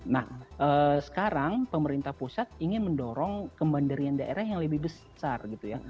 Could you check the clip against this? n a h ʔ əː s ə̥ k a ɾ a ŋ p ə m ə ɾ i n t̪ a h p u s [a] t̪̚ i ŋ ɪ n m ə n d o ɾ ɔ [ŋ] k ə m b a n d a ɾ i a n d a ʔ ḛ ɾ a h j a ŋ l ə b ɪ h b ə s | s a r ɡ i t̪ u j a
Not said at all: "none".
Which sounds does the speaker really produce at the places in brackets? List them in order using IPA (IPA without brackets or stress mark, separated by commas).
a, ŋ